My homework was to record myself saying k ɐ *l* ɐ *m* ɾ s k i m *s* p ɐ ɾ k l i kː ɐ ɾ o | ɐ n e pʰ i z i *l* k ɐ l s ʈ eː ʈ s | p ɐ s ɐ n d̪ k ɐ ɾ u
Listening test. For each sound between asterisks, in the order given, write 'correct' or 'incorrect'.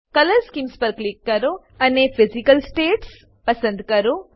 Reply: correct, incorrect, correct, incorrect

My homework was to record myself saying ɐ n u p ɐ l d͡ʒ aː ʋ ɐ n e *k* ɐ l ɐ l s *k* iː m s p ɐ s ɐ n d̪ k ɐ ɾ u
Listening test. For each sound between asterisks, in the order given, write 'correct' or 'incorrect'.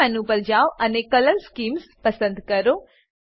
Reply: correct, correct

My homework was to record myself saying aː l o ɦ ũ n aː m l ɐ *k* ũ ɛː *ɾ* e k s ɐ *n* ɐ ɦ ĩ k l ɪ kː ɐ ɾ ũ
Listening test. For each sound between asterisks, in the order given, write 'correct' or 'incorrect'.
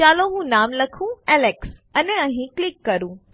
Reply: incorrect, incorrect, correct

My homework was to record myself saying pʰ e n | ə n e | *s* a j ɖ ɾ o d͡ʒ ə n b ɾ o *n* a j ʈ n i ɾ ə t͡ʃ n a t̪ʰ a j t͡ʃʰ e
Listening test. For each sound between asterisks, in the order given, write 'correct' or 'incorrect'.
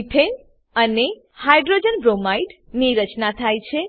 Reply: incorrect, incorrect

